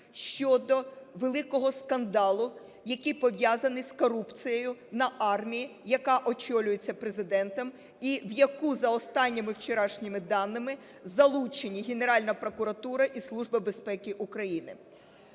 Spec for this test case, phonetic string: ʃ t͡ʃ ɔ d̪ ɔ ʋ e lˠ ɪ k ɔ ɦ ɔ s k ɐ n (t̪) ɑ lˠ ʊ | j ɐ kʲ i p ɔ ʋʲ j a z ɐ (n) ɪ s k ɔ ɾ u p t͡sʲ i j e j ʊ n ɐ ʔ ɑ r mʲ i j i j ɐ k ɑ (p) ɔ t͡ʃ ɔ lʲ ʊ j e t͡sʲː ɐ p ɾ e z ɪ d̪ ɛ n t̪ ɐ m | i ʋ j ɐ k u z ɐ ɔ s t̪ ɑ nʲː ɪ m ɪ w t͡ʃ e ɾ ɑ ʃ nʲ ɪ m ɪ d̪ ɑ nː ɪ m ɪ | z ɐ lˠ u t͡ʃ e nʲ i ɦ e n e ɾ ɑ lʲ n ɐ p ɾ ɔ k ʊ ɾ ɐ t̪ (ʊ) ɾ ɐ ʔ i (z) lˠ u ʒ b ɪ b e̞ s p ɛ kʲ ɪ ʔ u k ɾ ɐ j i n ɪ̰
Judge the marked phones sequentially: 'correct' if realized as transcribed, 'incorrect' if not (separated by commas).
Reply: incorrect, correct, incorrect, incorrect, incorrect